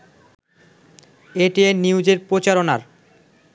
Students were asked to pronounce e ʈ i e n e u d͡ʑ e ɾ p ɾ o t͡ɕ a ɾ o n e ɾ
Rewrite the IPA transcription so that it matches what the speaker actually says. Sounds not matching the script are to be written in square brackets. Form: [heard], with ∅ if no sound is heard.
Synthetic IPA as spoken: e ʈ i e n [i] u d͡ʑ e ɾ p ɾ o t͡ɕ a ɾ o n [a] ɾ